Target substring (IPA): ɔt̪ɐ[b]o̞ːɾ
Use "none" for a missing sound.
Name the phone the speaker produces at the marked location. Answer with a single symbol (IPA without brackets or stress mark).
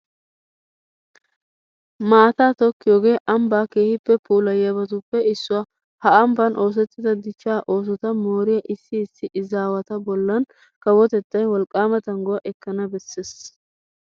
m